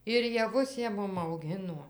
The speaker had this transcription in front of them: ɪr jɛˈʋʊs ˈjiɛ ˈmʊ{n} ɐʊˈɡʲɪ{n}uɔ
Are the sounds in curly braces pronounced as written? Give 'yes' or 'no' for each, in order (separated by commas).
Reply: no, yes